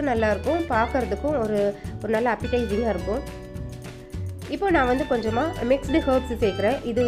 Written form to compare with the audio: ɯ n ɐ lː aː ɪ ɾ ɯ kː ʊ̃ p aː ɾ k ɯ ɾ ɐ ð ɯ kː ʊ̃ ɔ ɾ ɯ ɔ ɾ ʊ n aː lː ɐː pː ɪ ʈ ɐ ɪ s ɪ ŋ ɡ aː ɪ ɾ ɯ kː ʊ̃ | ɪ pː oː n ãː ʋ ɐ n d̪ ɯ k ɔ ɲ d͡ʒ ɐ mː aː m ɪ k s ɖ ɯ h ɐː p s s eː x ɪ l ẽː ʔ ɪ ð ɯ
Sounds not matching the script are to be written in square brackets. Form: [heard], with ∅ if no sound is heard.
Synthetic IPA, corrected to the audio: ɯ n ɐ lː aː ɪ ɾ ɯ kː ʊ̃ p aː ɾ k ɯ ɾ ɐ ð ɯ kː ʊ̃ ɔ ɾ ɯ ɔ ɾ [ɯ] n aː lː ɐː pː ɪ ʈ ɐ ɪ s ɪ ŋ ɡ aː ɪ ɾ ɯ kː ʊ̃ | ɪ pː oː n ãː ʋ ɐ n d̪ ɯ k ɔ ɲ d͡ʒ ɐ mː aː m ɪ k s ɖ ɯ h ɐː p s s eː [k] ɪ [ɾ] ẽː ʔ ɪ ð ɯ